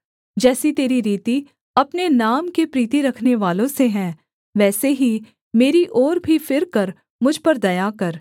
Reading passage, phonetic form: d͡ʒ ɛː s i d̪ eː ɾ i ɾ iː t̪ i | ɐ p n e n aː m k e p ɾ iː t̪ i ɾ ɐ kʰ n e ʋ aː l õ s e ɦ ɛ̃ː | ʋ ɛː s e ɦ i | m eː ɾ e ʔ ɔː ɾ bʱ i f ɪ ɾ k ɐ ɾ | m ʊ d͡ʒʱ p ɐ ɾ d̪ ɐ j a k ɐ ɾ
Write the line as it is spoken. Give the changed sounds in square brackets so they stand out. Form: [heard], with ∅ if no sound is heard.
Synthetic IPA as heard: d͡ʒ ɛː s i [t̪] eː ɾ i ɾ iː t̪ i | ɐ p n e n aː m k e p ɾ iː t̪ i ɾ ɐ kʰ n e ʋ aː l õ s e ɦ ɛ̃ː | ʋ ɛː s e ɦ i | m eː ɾ [i] ʔ ɔː ɾ bʱ i f ɪ ɾ k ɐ ɾ | m ʊ d͡ʒʱ p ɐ ɾ d̪ ɐ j a k ɐ ɾ